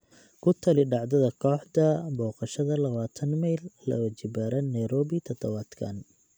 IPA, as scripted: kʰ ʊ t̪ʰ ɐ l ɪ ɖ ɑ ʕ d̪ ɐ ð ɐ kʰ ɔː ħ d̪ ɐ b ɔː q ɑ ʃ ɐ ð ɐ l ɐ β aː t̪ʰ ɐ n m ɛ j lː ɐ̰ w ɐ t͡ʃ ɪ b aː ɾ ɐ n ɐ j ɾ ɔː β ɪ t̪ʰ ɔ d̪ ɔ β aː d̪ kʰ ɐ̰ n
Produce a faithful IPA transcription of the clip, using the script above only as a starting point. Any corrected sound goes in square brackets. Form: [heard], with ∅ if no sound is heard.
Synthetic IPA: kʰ ʊ t̪ʰ ɐ l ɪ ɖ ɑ ʕ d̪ ɐ ð ɐ kʰ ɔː ħ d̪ ɐ b ɔː q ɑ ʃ ɐ ð ɐ l ɐ β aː t̪ʰ ɐ n m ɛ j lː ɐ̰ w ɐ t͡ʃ ɪ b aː ɾ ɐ n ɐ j ɾ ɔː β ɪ t̪ʰ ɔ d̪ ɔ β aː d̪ kʰ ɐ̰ n

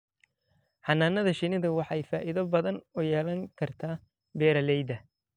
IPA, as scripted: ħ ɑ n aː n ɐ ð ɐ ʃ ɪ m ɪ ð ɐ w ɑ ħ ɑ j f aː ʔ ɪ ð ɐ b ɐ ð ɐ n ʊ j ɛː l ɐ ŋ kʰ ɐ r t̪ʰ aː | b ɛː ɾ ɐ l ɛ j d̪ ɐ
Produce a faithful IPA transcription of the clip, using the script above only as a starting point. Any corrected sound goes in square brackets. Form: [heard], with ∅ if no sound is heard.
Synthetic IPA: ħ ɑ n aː n ɐ ð ɐ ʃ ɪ [n] ɪ ð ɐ w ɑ ħ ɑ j f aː ʔ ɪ ð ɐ b ɐ ð ɐ n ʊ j ɛː l ɐ ŋ kʰ ɐ r t̪ʰ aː | b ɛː ɾ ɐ l ɛ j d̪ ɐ

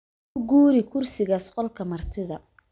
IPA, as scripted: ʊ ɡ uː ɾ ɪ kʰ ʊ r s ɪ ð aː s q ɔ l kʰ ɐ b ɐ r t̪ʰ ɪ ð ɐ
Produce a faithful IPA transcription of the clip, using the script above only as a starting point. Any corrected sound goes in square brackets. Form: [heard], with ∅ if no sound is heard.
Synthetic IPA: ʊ ɡ uː ɾ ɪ kʰ ʊ r s ɪ [ɣ] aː s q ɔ l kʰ ɐ [m] ɐ r t̪ʰ ɪ ð ɐ

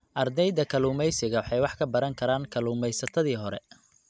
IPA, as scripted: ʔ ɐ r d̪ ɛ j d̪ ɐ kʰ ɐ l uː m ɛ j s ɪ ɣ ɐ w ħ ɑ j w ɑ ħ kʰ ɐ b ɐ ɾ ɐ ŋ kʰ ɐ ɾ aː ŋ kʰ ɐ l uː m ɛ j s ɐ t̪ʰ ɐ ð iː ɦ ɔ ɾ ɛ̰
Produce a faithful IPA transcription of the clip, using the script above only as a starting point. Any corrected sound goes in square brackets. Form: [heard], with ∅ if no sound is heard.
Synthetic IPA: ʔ ɐ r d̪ ɛ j d̪ ɐ kʰ ɐ l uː m ɛ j s ɪ ɣ ɐ w ħ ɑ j w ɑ ħ kʰ ɐ b ɐ ɾ ɐ ŋ kʰ ɐ ɾ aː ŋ kʰ ɐ l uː m ɛ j s ɐ t̪ʰ ɐ ð iː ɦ ɔ ɾ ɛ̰

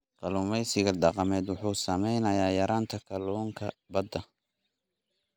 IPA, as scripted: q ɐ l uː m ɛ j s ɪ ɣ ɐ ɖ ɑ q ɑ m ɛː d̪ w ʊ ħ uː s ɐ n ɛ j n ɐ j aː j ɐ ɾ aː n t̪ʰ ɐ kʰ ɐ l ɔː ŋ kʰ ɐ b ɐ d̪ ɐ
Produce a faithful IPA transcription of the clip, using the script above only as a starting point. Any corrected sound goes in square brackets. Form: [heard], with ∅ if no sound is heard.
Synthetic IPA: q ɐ l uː m ɛ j s ɪ ɣ ɐ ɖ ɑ q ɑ m ɛː d̪ w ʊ ħ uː s ɐ [m] ɛ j n ɐ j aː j ɐ ɾ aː n t̪ʰ ɐ kʰ ɐ l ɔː ŋ kʰ ɐ b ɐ d̪ ɐ

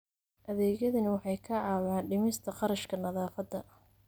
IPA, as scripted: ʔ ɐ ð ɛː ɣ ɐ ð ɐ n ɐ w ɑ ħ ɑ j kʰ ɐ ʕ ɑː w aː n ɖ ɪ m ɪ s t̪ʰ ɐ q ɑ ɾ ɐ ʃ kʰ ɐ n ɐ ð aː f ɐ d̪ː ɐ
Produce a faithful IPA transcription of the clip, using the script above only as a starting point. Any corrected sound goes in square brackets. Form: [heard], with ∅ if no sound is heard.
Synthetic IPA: ʔ ɐ ð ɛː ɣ ɐ ð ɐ n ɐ w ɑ ħ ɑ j kʰ ɐ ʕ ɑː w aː n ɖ ɪ m ɪ s t̪ʰ ɐ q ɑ ɾ ɐ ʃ kʰ ɐ n ɐ ð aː f ɐ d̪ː ɐ

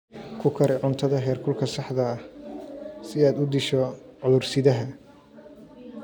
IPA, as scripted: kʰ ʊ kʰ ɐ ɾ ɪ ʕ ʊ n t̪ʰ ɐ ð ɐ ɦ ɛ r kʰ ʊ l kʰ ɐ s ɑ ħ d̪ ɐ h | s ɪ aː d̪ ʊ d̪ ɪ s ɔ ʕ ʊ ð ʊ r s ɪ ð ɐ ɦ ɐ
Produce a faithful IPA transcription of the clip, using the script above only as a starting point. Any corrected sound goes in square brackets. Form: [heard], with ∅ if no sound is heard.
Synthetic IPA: kʰ ʊ kʰ ɐ ɾ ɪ ʕ ʊ n t̪ʰ ɐ ð ɐ ɦ [ɛː] r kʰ ʊ l kʰ ɐ s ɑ ħ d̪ ɐ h | s ɪ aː d̪ ʊ d̪ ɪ [ʃ] ɔ ʕ ʊ ð ʊ r s ɪ ð ɐ ɦ ɐ

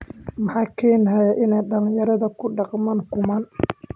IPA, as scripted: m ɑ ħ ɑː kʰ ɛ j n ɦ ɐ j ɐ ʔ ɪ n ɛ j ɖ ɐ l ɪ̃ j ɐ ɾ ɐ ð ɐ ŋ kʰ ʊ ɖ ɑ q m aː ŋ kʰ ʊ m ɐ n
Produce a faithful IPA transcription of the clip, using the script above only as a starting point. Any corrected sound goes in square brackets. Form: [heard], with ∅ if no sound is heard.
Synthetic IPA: m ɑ ħ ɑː kʰ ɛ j n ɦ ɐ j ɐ ʔ ɪ n ɛ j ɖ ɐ l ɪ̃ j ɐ ɾ ɐ ð ɐ [∅] kʰ ʊ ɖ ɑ q m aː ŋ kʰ ʊ m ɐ n

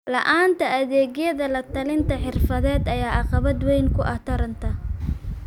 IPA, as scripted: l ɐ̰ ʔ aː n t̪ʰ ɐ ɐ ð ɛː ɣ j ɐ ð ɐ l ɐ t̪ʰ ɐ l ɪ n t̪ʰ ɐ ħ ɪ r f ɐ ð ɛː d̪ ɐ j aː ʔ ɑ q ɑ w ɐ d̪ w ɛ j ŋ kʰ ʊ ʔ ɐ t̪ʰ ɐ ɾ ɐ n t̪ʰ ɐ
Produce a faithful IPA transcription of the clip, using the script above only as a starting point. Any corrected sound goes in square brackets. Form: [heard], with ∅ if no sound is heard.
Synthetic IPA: l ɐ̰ ʔ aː n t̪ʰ ɐ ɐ ð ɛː ɣ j ɐ ð ɐ l ɐ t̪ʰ ɐ l ɪ n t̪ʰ ɐ ħ ɪ r f ɐ ð ɛː d̪ ɐ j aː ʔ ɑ q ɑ [β] ɐ d̪ w ɛ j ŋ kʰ ʊ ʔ ɐ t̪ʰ ɐ ɾ ɐ n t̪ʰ ɐ

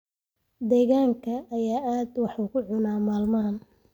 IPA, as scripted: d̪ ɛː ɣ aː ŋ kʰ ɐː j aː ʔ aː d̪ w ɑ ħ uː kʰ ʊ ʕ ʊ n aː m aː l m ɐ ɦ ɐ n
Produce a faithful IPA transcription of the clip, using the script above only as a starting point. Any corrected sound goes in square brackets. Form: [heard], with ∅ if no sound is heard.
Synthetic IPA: d̪ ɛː ɣ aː ŋ kʰ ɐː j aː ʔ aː d̪ w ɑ ħ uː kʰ ʊ ʕ ʊ n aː m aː l m ɐ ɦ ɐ n

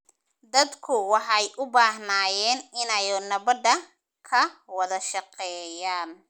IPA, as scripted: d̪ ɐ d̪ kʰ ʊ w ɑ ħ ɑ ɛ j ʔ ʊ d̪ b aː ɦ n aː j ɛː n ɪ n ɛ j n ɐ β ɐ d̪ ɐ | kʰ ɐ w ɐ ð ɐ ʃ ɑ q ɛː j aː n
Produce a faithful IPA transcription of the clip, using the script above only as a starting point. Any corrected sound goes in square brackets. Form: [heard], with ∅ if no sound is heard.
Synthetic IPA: d̪ ɐ d̪ kʰ ʊ w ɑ ħ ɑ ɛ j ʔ ʊ [∅] b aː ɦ n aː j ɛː n ɪ n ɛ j n ɐ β ɐ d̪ ɐ | kʰ ɐ w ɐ ð ɐ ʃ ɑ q ɛː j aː n

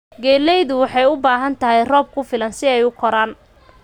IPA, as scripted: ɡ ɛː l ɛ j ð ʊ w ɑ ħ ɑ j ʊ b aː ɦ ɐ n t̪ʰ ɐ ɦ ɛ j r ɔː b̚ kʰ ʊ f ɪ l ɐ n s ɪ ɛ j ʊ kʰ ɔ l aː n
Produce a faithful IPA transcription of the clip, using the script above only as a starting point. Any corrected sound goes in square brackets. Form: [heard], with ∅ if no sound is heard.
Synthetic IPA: ɡ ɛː l ɛ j ð ʊ w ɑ ħ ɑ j ʊ b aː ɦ ɐ n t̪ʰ ɐ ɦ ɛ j r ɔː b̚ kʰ ʊ f ɪ l ɐ n s ɪ ɛ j ʊ kʰ ɔ [ɾ] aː n

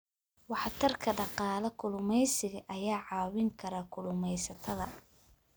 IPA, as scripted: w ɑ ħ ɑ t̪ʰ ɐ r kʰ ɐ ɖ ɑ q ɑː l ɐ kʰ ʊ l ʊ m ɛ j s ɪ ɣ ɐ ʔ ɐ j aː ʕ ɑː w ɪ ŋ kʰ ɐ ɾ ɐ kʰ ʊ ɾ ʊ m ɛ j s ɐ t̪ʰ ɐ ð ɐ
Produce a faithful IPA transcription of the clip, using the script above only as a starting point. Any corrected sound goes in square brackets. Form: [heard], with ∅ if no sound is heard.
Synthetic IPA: w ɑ ħ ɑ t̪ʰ ɐ r kʰ ɐ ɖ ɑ q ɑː l ɐ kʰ ʊ l ʊ m ɛ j s ɪ ɣ ɐ ʔ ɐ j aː ʕ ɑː w ɪ ŋ kʰ ɐ ɾ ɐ kʰ ʊ [l] ʊ m ɛ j s ɐ t̪ʰ ɐ ð ɐ

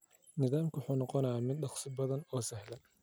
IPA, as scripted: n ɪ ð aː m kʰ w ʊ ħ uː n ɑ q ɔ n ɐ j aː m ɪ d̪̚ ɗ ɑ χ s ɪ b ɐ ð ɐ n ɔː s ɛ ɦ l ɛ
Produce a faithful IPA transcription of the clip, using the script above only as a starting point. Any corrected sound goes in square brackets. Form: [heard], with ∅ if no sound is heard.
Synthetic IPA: n ɪ ð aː m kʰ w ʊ ħ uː n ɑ q ɔ n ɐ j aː m ɪ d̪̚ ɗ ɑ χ s ɪ b ɐ ð ɐ n ɔː s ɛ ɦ l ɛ

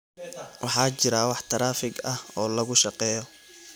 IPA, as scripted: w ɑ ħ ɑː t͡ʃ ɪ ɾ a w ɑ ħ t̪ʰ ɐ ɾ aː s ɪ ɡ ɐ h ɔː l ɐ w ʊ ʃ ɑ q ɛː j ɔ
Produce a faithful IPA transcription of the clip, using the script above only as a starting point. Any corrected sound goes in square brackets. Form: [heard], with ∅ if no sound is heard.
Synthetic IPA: w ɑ ħ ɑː t͡ʃ ɪ ɾ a w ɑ ħ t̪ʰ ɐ ɾ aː [f] ɪ ɡ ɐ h ɔː l ɐ [ɣ] ʊ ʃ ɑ q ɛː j ɔ

